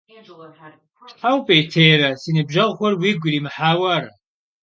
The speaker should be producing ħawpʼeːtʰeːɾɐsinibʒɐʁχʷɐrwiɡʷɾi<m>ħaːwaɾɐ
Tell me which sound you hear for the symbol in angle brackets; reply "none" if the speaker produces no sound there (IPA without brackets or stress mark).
m